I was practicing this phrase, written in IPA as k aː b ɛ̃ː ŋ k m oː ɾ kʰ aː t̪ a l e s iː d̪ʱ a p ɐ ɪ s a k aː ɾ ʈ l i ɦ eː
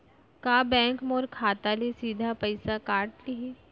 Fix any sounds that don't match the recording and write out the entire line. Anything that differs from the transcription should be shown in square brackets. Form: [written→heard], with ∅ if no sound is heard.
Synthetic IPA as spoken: k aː b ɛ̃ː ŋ k m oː ɾ kʰ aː t̪ a l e s iː d̪ʱ a p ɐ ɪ s a k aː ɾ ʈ l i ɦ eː